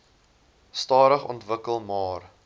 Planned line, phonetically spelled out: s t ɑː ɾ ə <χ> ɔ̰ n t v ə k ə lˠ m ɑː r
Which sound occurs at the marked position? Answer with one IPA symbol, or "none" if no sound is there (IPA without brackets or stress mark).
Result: χ